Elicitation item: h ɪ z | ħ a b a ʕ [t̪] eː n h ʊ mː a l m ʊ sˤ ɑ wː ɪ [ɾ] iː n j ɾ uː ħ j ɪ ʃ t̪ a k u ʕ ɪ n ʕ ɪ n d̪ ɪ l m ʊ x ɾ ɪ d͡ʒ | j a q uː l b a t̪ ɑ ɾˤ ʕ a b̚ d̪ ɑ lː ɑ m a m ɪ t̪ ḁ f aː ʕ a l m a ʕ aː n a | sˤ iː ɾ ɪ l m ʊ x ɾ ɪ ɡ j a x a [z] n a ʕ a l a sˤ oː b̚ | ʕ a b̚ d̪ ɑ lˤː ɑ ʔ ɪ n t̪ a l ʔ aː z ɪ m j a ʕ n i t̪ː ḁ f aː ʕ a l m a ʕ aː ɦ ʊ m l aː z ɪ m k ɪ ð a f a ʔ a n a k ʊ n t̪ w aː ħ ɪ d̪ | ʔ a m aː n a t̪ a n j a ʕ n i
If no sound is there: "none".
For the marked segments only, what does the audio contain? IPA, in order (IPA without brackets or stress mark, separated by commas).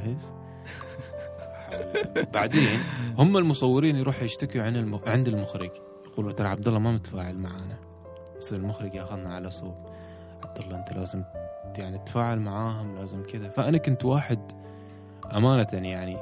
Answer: d̪, ɾ, ð